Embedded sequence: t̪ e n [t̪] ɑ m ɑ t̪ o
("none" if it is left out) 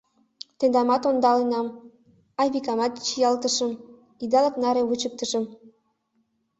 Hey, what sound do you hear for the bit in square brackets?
d̪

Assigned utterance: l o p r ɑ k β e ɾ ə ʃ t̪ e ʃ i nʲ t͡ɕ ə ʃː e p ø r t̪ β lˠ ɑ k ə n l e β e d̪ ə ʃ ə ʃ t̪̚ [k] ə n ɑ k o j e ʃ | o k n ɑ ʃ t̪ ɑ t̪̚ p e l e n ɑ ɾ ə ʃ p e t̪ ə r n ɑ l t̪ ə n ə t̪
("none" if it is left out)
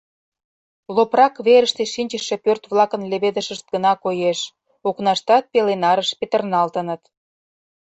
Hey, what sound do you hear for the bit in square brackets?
ɡ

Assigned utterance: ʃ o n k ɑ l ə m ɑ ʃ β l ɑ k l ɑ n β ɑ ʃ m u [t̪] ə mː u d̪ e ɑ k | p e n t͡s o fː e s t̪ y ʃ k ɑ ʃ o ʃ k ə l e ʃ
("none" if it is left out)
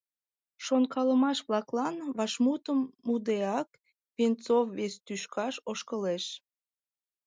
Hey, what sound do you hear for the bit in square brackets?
t̪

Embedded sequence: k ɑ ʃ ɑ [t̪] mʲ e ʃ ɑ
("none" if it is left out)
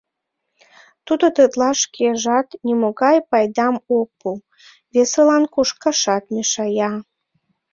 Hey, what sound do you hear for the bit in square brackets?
t̪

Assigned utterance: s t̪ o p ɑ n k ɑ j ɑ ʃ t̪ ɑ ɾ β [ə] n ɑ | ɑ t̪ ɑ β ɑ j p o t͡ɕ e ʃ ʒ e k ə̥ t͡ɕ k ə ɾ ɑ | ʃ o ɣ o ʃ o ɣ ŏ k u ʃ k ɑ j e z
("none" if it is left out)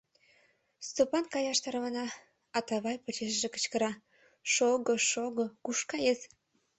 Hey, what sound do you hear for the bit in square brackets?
ɑ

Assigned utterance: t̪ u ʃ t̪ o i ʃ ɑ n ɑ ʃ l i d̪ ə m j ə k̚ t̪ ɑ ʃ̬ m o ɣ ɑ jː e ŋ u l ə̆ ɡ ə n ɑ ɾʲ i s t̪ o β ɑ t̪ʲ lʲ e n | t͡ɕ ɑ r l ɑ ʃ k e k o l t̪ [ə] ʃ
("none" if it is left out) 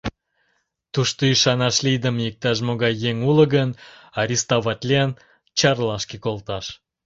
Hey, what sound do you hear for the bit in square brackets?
ɑ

